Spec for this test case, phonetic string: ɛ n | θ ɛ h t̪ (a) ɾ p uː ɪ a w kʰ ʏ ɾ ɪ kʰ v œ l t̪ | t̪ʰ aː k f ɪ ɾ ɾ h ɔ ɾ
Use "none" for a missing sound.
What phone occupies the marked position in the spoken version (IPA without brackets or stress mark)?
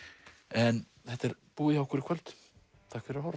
ɛ